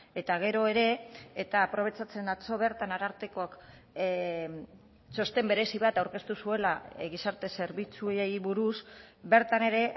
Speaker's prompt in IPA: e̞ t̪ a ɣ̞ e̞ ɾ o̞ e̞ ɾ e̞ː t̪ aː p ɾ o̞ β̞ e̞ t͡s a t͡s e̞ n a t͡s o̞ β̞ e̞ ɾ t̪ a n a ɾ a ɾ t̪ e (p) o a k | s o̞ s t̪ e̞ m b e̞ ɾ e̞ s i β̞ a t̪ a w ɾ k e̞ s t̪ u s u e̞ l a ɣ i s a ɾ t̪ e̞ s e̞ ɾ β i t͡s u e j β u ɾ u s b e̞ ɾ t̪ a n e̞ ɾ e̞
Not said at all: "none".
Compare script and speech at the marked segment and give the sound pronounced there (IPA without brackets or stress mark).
k